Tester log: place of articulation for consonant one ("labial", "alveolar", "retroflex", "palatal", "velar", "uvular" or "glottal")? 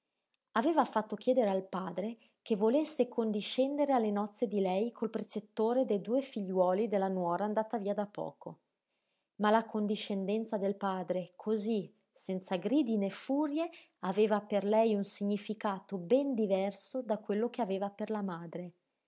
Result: labial